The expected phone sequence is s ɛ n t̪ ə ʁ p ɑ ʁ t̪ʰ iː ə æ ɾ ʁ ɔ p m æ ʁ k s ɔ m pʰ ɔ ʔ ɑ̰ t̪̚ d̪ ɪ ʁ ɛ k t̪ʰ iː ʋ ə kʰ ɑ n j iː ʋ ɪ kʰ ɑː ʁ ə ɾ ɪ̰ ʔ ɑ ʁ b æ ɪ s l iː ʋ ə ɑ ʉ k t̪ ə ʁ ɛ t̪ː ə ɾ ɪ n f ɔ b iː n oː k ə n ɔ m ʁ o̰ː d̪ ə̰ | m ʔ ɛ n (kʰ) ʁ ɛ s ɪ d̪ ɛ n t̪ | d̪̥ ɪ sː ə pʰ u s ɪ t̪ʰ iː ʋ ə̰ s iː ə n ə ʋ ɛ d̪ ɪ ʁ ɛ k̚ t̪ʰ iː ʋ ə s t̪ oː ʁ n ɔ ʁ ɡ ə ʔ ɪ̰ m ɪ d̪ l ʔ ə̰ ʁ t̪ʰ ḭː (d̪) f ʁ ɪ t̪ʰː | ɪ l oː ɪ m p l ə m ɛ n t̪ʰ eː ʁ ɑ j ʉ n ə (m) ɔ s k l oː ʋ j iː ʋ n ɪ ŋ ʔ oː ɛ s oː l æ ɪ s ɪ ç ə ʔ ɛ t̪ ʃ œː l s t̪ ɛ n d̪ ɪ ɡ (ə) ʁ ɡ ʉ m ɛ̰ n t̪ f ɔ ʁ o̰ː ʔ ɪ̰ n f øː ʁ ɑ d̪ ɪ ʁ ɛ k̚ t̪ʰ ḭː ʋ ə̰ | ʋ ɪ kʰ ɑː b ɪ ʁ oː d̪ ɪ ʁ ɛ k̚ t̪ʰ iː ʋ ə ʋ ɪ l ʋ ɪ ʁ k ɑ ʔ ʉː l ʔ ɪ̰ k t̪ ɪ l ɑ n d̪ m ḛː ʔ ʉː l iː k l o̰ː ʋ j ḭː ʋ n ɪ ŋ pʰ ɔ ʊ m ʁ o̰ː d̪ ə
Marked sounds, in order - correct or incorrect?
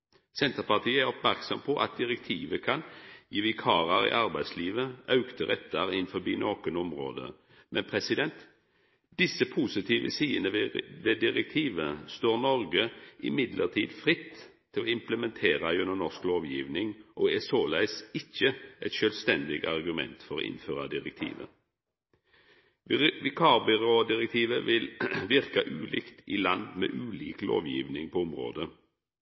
incorrect, correct, incorrect, incorrect

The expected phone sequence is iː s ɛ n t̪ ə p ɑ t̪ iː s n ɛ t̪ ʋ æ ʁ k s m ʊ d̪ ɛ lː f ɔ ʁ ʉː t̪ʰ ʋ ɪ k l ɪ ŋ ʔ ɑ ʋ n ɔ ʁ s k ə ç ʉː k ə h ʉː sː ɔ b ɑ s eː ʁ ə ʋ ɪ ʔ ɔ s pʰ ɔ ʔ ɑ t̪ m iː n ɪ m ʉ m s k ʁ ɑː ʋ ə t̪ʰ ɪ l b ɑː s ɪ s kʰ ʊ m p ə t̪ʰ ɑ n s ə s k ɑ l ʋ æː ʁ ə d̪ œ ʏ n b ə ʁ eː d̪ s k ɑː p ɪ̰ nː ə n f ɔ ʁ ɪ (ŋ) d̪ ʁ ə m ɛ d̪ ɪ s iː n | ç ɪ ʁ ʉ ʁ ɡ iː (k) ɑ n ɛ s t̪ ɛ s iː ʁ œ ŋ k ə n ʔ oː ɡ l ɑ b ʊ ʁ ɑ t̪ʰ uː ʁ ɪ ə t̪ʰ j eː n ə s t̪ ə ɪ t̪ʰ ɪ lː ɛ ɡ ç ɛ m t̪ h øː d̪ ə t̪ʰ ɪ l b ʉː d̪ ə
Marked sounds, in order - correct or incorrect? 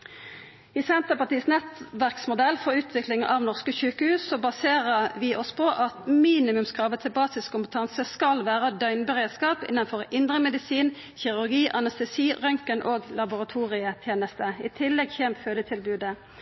incorrect, incorrect

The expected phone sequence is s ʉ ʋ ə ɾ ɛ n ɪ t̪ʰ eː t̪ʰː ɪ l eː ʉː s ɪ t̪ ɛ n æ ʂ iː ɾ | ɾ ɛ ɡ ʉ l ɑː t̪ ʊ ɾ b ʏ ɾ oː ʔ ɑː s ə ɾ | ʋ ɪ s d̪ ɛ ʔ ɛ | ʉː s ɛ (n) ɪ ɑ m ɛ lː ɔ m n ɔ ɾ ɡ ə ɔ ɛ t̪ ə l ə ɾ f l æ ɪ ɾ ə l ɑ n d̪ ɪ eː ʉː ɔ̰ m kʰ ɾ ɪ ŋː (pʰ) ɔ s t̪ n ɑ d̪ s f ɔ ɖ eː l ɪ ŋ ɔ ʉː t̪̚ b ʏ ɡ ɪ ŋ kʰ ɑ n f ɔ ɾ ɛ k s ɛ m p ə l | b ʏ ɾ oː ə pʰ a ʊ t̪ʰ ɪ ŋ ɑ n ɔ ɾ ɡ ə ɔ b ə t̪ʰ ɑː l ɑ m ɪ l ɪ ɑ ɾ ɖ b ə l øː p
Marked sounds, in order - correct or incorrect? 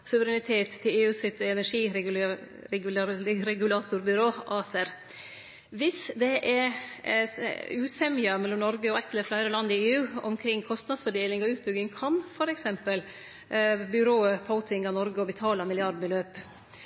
incorrect, incorrect

